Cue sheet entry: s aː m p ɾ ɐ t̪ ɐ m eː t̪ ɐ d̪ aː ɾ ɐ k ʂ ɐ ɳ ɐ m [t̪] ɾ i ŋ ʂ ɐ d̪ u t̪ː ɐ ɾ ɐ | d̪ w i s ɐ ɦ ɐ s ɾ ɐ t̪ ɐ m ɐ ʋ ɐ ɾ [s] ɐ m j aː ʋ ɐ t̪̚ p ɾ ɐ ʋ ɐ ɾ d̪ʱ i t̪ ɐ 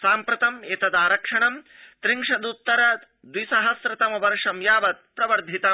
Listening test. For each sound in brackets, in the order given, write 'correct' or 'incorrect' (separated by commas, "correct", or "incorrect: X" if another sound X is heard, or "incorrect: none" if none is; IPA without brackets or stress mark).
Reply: correct, incorrect: ʂ